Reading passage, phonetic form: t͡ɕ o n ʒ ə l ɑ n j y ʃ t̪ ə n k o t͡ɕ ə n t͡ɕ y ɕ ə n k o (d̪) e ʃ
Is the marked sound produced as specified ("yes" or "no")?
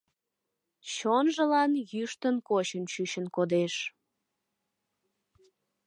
yes